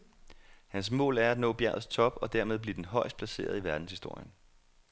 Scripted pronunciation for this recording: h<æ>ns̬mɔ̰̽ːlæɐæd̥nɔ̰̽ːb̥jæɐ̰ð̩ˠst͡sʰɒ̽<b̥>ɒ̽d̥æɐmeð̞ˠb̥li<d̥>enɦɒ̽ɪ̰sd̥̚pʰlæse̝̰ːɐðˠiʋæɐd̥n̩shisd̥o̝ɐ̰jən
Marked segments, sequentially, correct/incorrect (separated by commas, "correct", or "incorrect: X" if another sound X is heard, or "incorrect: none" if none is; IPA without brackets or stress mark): correct, correct, correct